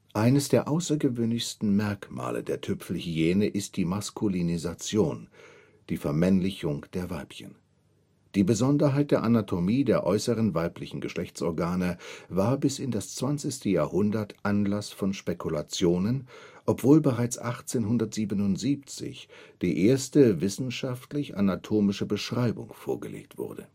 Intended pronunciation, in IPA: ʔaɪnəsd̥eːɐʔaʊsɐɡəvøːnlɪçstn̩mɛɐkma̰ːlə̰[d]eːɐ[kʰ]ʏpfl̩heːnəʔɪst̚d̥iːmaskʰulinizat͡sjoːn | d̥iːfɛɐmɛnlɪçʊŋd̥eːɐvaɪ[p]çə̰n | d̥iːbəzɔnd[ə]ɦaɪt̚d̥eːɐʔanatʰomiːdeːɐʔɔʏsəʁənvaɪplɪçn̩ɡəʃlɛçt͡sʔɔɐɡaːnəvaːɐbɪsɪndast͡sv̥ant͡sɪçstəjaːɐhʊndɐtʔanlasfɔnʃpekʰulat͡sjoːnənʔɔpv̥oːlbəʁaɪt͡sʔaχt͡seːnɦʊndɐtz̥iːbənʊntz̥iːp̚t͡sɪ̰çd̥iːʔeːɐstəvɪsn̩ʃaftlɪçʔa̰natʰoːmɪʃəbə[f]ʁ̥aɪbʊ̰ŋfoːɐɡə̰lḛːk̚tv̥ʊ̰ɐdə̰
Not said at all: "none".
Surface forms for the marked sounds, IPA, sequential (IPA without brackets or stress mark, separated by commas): d, tʰ, p, ɐ, ʃ